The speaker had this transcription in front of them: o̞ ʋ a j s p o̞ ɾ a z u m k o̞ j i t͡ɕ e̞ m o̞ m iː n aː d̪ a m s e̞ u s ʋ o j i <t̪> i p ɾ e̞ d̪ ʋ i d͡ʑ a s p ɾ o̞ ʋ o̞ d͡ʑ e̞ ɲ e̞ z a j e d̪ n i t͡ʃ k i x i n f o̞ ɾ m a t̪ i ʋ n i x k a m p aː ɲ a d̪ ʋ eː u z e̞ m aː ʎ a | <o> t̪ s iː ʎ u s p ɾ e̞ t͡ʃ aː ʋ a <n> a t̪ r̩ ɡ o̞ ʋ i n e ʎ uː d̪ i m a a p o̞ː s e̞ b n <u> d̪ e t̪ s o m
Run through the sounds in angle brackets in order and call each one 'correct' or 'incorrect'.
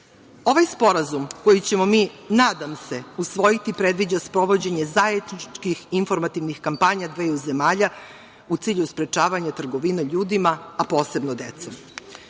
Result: correct, incorrect: u, incorrect: ɲ, incorrect: o

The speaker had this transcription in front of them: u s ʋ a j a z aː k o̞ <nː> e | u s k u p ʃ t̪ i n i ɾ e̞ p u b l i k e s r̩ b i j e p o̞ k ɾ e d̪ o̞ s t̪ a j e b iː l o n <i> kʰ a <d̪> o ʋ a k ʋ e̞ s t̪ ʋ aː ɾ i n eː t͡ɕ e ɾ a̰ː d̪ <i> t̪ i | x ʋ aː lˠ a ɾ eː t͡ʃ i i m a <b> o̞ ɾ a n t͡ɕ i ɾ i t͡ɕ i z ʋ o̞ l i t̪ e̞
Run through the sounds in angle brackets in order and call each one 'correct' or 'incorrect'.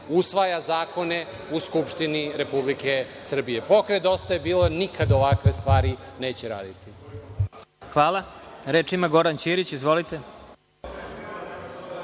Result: incorrect: n, correct, correct, correct, incorrect: ɡ

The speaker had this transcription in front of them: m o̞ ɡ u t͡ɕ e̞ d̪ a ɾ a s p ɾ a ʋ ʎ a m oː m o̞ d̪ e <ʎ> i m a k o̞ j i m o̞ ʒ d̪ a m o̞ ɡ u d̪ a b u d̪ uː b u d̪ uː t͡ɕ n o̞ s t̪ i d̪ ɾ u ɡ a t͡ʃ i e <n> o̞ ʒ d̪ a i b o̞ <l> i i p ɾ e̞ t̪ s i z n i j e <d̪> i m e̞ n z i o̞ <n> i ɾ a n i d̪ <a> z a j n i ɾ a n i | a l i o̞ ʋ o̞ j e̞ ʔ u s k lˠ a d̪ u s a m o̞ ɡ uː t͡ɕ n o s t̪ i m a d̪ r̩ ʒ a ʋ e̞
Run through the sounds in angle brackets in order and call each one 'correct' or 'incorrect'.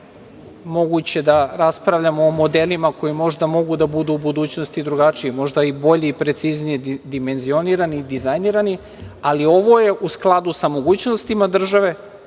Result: incorrect: l, incorrect: m, incorrect: ʎ, correct, correct, incorrect: i

